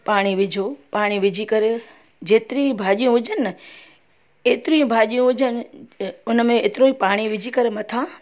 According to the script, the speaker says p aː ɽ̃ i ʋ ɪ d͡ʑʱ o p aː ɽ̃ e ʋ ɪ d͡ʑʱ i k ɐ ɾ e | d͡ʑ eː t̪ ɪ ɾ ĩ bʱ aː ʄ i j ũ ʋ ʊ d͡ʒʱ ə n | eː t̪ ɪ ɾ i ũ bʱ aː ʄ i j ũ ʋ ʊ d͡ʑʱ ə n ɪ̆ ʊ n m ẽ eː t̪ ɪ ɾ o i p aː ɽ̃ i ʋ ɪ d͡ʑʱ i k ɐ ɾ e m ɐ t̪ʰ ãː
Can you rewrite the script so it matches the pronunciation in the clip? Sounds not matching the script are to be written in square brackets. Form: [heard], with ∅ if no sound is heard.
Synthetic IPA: p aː ɽ̃ i ʋ ɪ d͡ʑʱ o p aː ɽ̃ [i] ʋ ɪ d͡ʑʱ i k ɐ ɾ e | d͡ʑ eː t̪ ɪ ɾ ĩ bʱ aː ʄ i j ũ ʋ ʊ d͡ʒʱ ə n | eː t̪ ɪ ɾ i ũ bʱ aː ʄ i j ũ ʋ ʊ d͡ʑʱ ə n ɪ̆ ʊ n m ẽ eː t̪ ɪ ɾ o i p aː ɽ̃ i ʋ ɪ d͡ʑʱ i k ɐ ɾ e m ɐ t̪ʰ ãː